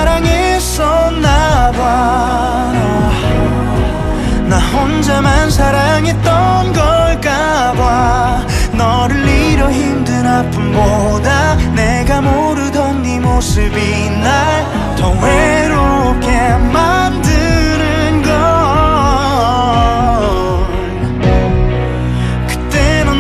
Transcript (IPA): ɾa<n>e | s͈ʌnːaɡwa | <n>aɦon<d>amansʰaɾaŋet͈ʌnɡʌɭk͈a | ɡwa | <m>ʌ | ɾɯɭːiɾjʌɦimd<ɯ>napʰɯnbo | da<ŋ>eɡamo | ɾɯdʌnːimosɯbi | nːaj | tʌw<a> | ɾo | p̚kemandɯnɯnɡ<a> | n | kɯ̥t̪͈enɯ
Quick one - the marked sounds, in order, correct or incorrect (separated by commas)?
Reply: incorrect, correct, incorrect, incorrect, correct, incorrect, incorrect, incorrect